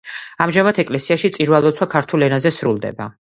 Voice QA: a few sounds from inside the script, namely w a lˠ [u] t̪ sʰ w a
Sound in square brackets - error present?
yes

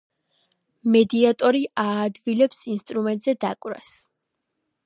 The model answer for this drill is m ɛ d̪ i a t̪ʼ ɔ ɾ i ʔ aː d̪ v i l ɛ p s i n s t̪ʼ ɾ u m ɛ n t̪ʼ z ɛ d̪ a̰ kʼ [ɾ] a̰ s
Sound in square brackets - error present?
no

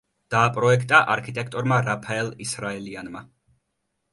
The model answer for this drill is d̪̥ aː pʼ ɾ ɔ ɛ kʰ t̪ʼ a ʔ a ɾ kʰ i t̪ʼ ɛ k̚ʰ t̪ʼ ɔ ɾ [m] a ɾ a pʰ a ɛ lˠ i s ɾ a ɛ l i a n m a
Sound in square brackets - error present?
no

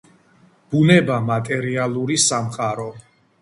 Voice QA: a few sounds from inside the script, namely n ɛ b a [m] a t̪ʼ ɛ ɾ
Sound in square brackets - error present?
no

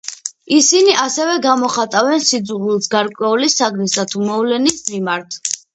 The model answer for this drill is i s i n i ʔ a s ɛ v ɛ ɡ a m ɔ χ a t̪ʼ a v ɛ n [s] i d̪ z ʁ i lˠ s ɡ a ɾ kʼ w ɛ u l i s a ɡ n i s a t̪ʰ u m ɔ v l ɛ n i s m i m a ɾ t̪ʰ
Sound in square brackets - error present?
no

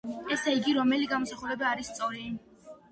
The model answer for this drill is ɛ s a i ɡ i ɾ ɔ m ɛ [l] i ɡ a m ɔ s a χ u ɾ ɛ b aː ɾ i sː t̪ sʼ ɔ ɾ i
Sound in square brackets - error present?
no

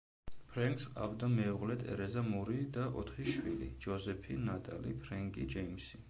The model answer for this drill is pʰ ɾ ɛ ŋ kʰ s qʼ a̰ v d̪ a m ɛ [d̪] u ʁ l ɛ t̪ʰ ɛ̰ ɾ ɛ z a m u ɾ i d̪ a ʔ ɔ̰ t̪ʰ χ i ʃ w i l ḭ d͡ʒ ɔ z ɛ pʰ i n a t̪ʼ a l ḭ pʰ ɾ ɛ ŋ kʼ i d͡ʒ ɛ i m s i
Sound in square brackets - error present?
yes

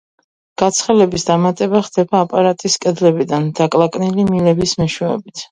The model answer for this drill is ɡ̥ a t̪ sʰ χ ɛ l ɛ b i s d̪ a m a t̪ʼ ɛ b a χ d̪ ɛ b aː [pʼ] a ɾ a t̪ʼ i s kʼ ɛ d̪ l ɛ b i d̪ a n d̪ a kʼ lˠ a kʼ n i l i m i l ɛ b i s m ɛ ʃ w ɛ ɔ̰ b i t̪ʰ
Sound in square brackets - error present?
no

